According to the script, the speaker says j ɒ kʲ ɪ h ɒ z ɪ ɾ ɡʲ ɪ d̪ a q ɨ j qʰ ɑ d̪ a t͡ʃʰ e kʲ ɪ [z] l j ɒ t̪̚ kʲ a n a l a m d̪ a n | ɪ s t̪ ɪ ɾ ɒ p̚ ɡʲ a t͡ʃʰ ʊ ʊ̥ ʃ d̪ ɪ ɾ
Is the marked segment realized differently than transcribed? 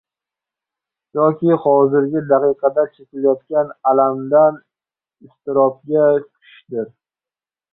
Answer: yes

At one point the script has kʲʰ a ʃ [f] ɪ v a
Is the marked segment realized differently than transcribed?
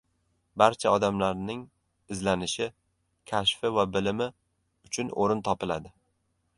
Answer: no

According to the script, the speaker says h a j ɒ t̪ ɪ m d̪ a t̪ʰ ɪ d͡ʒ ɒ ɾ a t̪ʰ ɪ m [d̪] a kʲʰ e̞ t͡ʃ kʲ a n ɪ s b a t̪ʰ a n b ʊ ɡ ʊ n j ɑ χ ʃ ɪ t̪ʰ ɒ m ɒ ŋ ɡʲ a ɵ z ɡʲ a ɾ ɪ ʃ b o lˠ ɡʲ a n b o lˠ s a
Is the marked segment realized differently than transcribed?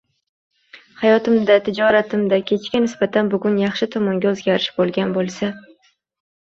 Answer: no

